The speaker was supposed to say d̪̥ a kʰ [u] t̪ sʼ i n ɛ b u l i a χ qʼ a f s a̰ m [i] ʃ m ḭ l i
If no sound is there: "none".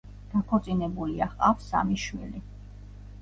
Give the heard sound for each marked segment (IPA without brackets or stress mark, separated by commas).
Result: ɔ, i